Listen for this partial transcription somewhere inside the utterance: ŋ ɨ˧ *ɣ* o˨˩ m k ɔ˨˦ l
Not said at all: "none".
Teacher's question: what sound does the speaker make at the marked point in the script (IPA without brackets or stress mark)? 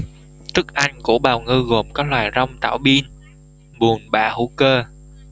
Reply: ɣ